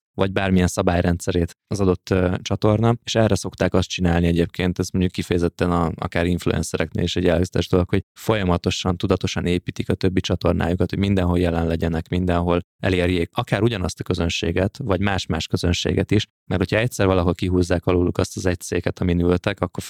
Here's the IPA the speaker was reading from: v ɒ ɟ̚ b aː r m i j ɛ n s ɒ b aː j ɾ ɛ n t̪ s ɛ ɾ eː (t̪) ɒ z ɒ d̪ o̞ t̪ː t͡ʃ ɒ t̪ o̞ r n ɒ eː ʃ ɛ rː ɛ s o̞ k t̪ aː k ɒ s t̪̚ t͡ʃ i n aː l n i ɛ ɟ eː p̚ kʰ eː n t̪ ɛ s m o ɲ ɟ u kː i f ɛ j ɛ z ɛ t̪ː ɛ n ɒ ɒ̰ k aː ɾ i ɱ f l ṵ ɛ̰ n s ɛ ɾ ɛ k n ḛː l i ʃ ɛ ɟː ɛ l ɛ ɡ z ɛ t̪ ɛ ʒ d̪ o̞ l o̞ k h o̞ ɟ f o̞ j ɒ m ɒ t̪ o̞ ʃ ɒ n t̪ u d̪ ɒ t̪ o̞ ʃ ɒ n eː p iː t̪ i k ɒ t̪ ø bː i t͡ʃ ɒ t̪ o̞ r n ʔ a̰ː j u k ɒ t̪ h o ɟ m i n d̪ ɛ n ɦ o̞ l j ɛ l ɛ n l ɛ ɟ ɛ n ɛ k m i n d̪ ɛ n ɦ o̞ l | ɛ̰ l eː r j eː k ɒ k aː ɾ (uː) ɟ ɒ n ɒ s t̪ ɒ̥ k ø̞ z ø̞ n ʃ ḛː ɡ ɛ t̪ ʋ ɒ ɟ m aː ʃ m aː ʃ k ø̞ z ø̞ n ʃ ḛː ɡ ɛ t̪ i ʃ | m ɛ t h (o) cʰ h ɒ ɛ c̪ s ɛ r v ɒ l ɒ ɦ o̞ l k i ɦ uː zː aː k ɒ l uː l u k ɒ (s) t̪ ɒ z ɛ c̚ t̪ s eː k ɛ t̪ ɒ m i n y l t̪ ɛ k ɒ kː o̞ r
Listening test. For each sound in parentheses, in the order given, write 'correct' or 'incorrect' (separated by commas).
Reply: correct, incorrect, correct, correct